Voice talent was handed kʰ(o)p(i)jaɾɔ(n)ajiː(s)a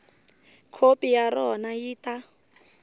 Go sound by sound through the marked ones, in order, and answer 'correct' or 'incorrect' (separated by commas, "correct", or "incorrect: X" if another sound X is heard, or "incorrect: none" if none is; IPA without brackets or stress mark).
correct, correct, correct, incorrect: t